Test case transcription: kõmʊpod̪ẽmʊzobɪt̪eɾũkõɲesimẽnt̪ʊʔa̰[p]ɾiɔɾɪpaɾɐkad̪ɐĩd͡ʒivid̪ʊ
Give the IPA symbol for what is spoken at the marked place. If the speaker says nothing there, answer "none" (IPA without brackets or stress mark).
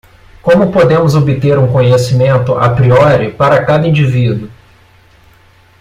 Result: p